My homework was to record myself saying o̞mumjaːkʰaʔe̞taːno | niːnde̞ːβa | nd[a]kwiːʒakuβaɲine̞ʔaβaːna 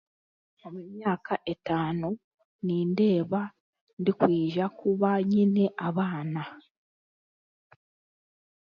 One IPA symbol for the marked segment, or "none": i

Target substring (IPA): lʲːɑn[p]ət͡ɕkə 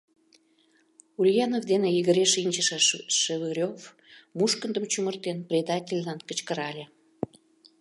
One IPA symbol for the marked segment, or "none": k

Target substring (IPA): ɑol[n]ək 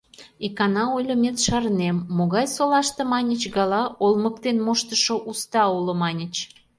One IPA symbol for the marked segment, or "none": m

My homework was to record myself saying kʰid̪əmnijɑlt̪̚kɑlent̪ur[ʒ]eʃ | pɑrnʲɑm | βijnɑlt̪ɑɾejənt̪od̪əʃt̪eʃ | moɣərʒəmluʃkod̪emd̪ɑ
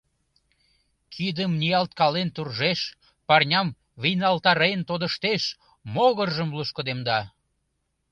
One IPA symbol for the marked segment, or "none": ʒ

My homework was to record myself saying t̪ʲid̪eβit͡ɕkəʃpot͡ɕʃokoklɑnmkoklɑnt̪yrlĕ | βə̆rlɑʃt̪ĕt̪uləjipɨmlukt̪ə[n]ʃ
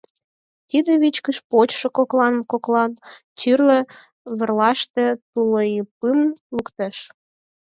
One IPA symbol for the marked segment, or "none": none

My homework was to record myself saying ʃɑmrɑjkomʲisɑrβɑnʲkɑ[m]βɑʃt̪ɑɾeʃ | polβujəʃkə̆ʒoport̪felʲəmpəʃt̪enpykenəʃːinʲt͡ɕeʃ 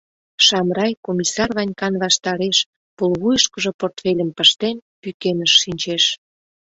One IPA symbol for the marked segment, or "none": n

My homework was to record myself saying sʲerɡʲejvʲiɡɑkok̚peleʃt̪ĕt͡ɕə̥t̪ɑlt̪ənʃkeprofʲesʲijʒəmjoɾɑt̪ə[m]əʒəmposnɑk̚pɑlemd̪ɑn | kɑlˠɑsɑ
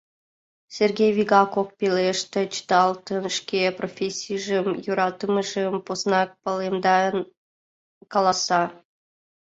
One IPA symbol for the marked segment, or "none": m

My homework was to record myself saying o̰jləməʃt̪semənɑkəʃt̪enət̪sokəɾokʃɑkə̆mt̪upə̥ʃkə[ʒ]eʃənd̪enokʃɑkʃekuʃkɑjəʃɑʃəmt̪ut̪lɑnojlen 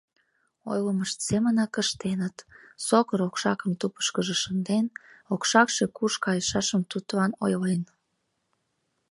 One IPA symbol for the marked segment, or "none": ʒ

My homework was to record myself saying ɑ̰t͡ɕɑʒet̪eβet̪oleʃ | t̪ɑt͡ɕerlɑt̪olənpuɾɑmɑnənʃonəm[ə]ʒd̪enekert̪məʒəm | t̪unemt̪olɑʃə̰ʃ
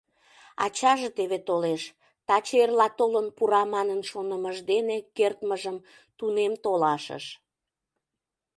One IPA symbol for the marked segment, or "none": ə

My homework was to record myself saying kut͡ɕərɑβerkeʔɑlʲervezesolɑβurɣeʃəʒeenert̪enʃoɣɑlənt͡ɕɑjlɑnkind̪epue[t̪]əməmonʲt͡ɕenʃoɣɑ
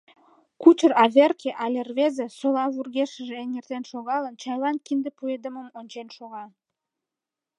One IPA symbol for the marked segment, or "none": d̪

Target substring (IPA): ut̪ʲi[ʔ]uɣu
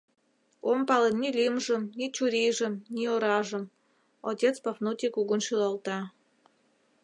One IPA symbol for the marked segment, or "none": k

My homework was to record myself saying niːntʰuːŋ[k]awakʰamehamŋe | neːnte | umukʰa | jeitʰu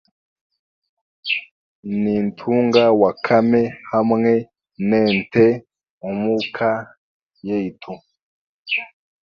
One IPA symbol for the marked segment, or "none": ɡ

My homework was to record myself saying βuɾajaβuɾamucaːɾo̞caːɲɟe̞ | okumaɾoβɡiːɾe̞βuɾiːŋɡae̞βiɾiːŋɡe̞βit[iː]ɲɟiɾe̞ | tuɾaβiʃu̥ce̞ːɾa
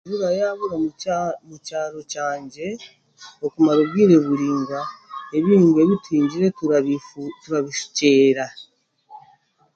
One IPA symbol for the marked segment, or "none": iː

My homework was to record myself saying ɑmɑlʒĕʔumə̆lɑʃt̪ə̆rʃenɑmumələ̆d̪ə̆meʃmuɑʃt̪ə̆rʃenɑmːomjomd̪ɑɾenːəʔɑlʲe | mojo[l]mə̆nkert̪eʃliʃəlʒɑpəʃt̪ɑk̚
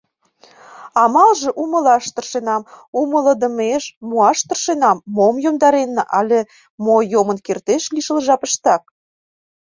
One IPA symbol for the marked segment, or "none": none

